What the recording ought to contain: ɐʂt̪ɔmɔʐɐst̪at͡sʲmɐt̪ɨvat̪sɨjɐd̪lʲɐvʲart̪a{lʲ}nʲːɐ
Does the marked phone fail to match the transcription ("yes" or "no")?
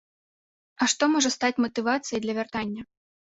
yes